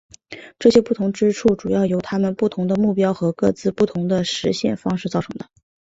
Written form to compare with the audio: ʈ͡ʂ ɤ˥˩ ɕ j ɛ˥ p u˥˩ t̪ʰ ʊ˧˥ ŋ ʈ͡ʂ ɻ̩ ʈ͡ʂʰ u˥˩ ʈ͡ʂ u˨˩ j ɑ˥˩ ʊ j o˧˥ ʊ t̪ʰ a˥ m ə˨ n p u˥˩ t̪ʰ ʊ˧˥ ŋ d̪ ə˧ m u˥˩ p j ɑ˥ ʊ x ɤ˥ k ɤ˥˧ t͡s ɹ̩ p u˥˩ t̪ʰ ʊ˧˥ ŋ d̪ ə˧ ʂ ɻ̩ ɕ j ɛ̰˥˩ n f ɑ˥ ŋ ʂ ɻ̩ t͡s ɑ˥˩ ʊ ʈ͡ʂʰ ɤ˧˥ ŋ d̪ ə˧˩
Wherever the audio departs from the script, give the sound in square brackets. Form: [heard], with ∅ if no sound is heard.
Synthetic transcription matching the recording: ʈ͡ʂ ɤ˥˩ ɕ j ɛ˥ p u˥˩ t̪ʰ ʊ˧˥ ŋ ʈ͡ʂ ɻ̩ ʈ͡ʂʰ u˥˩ ʈ͡ʂ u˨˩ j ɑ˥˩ ʊ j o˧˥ ʊ t̪ʰ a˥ m ə˨ n p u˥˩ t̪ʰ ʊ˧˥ ŋ d̪ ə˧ m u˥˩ p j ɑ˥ ʊ x [ɤ˧˥] k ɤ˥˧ t͡s ɹ̩ p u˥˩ t̪ʰ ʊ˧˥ ŋ d̪ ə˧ ʂ ɻ̩ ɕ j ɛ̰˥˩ n f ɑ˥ ŋ ʂ ɻ̩ t͡s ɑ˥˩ ʊ ʈ͡ʂʰ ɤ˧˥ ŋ d̪ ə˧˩